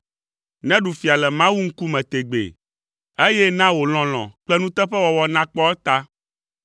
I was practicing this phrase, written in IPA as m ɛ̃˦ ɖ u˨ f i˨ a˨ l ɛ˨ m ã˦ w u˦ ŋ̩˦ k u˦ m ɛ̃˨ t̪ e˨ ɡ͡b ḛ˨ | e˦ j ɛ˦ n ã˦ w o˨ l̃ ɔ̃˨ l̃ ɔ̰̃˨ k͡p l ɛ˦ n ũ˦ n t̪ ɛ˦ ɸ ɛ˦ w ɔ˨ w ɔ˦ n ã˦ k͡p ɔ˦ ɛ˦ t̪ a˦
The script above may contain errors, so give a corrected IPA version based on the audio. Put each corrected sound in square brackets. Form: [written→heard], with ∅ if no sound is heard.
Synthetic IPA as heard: [m→n] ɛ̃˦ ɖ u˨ f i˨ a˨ l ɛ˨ m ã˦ w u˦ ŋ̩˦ k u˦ m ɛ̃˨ t̪ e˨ ɡ͡b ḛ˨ | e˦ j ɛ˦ n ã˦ w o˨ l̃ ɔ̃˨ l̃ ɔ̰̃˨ k͡p l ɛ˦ n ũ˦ [n→∅] t̪ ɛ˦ ɸ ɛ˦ w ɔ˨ w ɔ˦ n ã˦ k͡p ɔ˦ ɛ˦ t̪ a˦

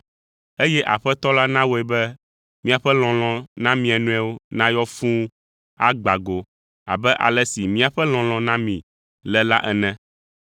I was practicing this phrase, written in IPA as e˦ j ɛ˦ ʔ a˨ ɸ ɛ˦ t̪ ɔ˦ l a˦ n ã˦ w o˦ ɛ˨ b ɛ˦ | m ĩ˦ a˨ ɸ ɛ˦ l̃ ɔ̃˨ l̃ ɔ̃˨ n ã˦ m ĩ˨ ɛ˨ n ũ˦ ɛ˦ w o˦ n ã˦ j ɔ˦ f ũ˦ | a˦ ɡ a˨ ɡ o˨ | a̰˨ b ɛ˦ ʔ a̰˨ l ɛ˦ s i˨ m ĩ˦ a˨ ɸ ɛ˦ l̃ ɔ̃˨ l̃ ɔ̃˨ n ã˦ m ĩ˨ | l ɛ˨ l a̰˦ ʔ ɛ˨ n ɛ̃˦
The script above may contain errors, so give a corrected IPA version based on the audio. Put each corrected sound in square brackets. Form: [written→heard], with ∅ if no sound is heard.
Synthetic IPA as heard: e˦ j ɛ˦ ʔ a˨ ɸ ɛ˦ t̪ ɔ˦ l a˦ n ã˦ w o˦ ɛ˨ b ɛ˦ | m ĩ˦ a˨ ɸ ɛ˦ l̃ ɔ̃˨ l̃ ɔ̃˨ n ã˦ m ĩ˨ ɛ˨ n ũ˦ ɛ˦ w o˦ n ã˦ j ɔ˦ f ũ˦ | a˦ [ɡ→ɡ͡b] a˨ ɡ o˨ | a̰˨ b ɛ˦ ʔ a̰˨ l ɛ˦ s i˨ m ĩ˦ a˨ ɸ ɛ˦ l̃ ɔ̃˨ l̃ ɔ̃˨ n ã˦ m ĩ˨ | l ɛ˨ l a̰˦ ʔ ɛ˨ n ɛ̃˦

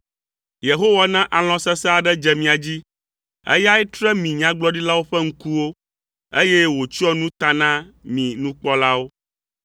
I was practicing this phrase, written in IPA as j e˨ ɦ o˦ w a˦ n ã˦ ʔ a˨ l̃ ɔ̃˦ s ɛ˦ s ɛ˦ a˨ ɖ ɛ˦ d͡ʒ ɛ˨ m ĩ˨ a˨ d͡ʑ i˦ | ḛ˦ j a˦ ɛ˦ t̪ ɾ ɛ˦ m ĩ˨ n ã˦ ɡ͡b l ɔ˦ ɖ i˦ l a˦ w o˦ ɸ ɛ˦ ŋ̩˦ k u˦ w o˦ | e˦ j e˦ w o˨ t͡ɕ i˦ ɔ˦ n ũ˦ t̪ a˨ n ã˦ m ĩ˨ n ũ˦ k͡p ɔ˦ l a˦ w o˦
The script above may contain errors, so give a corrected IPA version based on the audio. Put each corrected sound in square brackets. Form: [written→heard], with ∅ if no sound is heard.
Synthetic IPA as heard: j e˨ ɦ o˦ w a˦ n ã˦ ʔ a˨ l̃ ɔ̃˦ s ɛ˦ s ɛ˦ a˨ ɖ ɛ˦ d͡ʒ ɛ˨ m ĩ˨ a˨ d͡ʑ i˦ | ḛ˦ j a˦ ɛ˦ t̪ ɾ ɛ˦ m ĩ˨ [n→ɲ] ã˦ ɡ͡b l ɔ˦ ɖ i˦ l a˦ w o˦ ɸ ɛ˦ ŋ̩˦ k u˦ w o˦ | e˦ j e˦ w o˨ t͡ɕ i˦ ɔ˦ n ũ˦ t̪ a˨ n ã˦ m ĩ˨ n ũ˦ k͡p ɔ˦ l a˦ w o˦

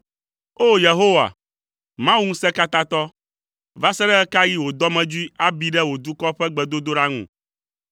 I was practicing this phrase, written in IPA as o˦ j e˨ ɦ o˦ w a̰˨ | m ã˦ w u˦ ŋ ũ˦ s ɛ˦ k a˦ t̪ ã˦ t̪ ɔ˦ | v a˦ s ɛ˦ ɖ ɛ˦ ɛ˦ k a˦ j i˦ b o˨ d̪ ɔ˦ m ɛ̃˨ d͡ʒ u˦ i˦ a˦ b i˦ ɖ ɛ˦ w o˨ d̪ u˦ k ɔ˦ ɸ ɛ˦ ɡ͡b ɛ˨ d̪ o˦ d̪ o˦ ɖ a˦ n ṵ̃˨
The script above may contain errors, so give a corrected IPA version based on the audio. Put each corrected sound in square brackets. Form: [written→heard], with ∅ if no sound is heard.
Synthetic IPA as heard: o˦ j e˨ ɦ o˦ w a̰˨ | m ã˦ w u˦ ŋ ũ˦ s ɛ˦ k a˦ t̪ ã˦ t̪ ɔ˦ | v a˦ s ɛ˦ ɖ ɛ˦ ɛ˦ k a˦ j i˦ [b→w] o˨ d̪ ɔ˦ m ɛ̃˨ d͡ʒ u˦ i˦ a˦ b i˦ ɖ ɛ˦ w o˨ d̪ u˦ k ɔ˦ ɸ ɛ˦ ɡ͡b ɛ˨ d̪ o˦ d̪ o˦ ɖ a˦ [n→ŋ] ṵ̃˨

